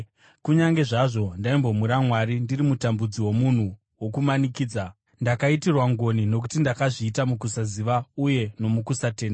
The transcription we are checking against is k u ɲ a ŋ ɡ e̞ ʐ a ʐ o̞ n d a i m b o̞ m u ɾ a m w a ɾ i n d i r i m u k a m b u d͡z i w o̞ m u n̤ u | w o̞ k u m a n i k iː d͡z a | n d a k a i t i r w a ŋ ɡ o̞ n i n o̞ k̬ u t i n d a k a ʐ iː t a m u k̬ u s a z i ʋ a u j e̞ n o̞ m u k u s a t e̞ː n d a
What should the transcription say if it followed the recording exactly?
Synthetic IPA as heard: k u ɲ a ŋ ɡ e̞ ʐ a ʐ o̞ n d a i m b o̞ m u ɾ a m w a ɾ i n d i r i m u t a m b u d͡z i w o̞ m u n̤ u | w o̞ k u m a n i k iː d͡z a | n d a k a i t i r w a ŋ ɡ o̞ n i n o̞ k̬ u t i n d a k a ʐ iː t a m u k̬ u s a z i ʋ a u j e̞ n o̞ m u k u s a t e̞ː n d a